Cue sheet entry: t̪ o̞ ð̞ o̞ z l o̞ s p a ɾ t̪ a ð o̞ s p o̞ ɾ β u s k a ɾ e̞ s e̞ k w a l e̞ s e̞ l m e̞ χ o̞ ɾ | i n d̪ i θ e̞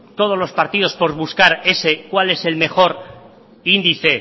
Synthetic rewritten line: t̪ o̞ ð̞ o̞ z l o̞ s p a ɾ t̪ i ð o̞ s p o̞ ɾ β u s k a ɾ e̞ s e̞ k w a l e̞ s e̞ l m e̞ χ o̞ ɾ | i n d̪ i θ e̞